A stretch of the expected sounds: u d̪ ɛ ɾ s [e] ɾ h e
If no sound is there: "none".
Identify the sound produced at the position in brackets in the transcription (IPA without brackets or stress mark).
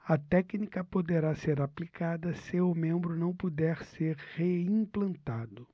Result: e